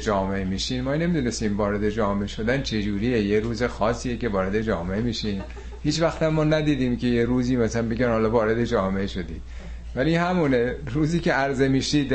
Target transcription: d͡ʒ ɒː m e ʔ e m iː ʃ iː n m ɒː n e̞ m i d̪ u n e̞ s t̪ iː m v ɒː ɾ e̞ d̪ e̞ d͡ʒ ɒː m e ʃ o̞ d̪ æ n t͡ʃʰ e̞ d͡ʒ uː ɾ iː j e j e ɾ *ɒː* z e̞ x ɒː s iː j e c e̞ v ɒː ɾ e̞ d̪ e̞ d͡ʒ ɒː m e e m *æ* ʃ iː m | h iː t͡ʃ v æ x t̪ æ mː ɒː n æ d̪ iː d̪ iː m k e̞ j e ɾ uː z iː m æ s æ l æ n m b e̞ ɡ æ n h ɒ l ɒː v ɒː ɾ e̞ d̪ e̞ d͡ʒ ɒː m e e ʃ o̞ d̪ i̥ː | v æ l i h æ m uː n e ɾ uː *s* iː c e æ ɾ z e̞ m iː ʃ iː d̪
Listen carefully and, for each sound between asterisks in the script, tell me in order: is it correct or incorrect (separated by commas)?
incorrect, incorrect, incorrect